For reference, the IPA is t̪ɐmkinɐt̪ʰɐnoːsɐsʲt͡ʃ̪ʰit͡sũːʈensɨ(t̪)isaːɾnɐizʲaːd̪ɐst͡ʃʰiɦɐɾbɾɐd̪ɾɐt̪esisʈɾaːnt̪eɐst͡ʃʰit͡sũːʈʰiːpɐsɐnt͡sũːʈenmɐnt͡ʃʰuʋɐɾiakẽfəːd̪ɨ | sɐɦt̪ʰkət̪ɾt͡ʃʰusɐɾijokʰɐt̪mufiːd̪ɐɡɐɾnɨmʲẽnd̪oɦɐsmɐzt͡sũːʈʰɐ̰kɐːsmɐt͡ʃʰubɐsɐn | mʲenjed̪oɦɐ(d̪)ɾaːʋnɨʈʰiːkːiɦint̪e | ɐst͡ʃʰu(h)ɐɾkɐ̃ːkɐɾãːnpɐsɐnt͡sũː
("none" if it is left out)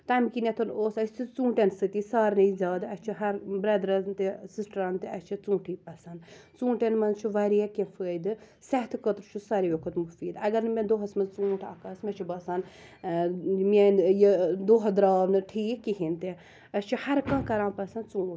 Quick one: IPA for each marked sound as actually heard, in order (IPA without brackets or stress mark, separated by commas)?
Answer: t̪, d̪, h